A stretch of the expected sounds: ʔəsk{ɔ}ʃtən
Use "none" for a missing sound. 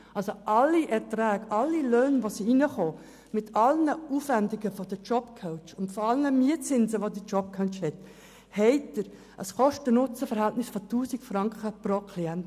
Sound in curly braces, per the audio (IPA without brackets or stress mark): ɔ